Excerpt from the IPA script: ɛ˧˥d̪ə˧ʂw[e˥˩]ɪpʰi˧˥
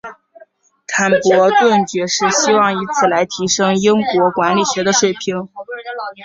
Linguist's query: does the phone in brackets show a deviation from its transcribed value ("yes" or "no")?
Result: no